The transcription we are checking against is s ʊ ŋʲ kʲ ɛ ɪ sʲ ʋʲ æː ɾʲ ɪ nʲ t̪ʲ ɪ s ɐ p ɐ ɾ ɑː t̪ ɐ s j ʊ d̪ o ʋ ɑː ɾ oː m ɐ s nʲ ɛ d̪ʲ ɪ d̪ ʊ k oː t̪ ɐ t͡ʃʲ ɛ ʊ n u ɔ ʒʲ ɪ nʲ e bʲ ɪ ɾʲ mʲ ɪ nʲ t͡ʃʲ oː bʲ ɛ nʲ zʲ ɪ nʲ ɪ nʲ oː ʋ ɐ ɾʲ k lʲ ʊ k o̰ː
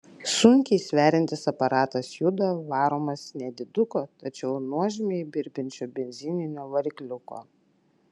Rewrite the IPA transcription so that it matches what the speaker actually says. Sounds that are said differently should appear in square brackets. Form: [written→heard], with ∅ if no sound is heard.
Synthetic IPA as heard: s ʊ ŋʲ kʲ ɛ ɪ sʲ ʋʲ æː ɾʲ ɪ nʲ t̪ʲ ɪ s ɐ p ɐ ɾ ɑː t̪ ɐ s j ʊ d̪ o ʋ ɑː ɾ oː m ɐ s nʲ ɛ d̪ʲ ɪ d̪ ʊ k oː t̪ ɐ t͡ʃʲ ɛ ʊ n u ɔ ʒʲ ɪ [nʲ→mʲ] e bʲ ɪ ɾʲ [mʲ→bʲ] ɪ nʲ t͡ʃʲ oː bʲ ɛ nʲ zʲ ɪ nʲ ɪ nʲ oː ʋ ɐ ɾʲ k lʲ ʊ k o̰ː

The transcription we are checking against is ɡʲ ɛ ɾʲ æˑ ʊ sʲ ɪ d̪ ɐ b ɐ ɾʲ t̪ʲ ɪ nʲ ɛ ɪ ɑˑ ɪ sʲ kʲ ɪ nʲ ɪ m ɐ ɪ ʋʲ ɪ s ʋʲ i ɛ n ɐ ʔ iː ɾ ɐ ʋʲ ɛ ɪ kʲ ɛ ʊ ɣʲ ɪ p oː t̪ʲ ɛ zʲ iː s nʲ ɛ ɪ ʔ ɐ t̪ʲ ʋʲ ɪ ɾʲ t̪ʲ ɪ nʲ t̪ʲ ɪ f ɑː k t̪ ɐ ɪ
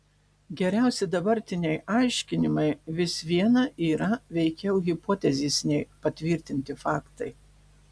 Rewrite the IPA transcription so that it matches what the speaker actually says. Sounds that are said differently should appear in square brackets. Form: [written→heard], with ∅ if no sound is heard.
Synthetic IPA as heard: ɡʲ ɛ ɾʲ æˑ ʊ sʲ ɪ d̪ ɐ b ɐ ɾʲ t̪ʲ ɪ nʲ ɛ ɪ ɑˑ ɪ [sʲ→ʃʲ] kʲ ɪ nʲ ɪ m ɐ ɪ ʋʲ ɪ s ʋʲ i ɛ n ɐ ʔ iː ɾ ɐ ʋʲ ɛ ɪ kʲ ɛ ʊ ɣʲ ɪ p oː t̪ʲ ɛ zʲ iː s nʲ ɛ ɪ [ʔ→p] ɐ t̪ʲ ʋʲ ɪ ɾʲ t̪ʲ ɪ nʲ t̪ʲ ɪ f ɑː k t̪ ɐ ɪ

